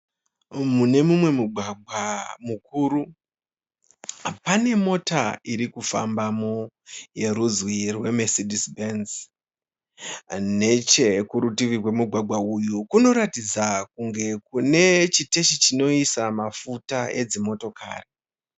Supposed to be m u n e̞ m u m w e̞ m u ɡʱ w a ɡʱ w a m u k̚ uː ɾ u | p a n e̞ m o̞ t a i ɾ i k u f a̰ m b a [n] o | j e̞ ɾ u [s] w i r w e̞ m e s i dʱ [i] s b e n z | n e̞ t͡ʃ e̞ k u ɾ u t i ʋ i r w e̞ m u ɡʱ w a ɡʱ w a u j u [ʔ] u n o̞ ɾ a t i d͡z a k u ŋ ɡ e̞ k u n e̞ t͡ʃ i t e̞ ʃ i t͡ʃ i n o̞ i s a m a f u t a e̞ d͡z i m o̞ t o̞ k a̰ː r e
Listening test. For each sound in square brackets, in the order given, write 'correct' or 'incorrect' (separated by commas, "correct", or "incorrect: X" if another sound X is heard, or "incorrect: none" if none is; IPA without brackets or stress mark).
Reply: incorrect: m, incorrect: z, correct, incorrect: k